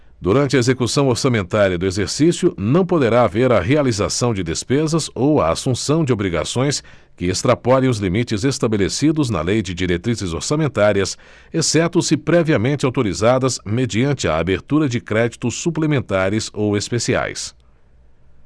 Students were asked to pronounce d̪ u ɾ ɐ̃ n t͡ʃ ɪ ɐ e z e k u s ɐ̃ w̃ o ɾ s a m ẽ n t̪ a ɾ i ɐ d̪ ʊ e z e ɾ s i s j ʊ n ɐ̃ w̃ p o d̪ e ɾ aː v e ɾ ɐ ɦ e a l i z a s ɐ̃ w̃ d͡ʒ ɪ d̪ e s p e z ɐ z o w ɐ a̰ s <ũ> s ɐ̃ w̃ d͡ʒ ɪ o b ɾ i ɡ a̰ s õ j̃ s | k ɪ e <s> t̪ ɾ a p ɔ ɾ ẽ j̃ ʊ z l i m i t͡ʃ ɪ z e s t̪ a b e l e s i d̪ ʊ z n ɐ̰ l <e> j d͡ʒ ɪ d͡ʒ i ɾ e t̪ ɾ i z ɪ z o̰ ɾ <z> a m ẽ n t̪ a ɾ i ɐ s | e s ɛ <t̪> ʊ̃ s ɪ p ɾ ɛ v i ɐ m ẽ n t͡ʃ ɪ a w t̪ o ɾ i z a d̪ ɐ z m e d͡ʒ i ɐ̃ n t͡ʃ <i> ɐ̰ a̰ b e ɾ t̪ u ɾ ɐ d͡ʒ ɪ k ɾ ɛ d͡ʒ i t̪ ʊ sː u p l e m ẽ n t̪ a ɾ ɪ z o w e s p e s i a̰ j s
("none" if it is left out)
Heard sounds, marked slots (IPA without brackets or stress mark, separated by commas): ũ, s, e, s, t̪, ɪ